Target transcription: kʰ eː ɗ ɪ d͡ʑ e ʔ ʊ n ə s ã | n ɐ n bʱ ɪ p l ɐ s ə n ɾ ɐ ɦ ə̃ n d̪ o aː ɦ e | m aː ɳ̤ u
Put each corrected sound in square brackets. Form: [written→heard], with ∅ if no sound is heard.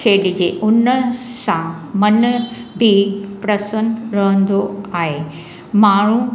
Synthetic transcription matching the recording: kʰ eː ɗ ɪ d͡ʑ e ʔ ʊ n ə s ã | [n→m] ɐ n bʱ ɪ p [l→ɾ] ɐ s ə n ɾ ɐ ɦ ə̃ n d̪ o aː ɦ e | m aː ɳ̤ u